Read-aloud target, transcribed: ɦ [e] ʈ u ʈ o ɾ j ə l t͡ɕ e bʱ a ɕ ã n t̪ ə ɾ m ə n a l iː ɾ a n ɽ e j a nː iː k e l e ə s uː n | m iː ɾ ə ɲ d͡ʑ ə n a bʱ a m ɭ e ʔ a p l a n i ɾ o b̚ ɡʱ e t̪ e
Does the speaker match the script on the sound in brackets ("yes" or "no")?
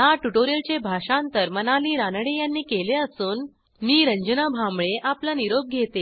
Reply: no